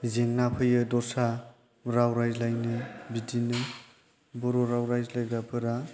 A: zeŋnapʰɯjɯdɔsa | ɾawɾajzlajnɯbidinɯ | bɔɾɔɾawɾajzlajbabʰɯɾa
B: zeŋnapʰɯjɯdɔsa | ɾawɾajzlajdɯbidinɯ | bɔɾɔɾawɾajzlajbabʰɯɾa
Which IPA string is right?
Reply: A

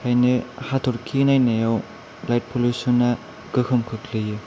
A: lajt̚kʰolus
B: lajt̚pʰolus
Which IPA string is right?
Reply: B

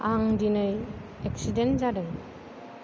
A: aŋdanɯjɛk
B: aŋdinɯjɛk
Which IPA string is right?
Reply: B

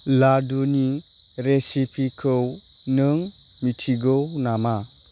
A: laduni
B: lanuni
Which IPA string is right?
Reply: A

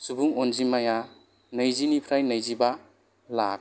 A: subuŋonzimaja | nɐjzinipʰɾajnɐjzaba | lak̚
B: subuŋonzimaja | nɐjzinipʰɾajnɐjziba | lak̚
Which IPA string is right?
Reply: B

